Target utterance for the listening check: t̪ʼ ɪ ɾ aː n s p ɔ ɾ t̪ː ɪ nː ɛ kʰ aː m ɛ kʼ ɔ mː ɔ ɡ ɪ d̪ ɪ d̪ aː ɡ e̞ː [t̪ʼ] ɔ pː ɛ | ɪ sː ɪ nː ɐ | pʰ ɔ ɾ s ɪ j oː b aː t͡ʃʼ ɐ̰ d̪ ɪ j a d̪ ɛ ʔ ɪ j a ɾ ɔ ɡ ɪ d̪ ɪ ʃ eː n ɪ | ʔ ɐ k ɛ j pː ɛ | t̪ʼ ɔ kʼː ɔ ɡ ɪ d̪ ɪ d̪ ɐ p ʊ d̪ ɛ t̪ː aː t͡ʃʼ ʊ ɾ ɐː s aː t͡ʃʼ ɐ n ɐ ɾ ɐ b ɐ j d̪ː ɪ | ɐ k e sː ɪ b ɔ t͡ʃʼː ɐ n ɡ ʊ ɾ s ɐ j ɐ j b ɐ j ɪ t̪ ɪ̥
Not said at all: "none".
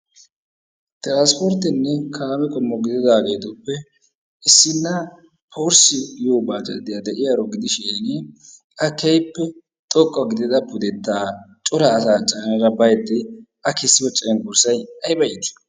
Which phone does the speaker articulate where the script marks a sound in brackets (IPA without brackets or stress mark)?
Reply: t̪